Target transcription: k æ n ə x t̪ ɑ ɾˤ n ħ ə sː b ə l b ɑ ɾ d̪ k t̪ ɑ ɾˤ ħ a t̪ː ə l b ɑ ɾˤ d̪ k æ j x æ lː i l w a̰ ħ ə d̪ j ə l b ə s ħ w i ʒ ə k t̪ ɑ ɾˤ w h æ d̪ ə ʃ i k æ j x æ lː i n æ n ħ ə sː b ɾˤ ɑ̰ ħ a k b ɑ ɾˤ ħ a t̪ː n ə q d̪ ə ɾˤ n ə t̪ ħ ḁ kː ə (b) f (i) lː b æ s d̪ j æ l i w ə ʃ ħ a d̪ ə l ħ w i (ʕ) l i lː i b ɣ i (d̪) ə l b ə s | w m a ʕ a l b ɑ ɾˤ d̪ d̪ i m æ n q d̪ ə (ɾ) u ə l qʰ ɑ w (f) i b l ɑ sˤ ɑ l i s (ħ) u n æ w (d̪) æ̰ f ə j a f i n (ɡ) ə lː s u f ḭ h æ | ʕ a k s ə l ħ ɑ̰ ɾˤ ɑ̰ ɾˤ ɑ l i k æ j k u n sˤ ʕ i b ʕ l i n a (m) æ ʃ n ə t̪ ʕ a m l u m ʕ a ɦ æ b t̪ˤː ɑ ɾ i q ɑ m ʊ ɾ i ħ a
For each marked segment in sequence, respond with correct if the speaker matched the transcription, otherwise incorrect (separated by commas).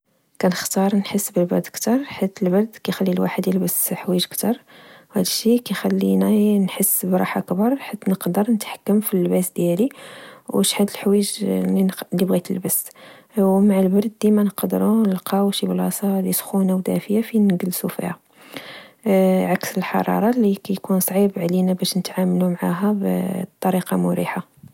incorrect, correct, incorrect, incorrect, correct, incorrect, incorrect, correct, correct, incorrect